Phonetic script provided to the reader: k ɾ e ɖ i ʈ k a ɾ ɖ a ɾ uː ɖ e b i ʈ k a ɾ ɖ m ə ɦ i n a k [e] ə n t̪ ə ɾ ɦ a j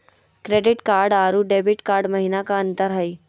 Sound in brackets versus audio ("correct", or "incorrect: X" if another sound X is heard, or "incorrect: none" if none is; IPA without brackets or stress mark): incorrect: a